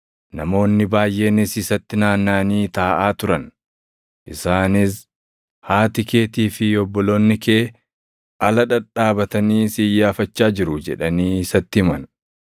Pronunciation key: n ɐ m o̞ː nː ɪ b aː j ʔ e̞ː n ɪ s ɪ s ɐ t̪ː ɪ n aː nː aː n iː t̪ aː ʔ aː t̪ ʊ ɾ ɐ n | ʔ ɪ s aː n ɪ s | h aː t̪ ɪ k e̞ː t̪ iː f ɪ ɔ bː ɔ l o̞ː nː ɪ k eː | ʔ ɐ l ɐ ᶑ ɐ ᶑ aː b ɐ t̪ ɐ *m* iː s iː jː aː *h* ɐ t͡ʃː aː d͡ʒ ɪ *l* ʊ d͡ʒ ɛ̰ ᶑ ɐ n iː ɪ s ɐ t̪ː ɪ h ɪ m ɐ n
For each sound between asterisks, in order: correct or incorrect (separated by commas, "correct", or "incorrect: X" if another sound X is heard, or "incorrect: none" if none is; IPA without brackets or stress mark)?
incorrect: n, incorrect: f, incorrect: ɾ